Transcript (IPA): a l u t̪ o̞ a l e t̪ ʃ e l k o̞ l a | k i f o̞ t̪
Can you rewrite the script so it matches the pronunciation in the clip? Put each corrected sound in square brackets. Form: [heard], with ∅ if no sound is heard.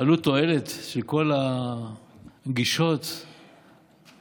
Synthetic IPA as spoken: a l u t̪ o̞ [e] l e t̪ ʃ e l k o̞ l a | [ɡ] i [ʃ] o̞ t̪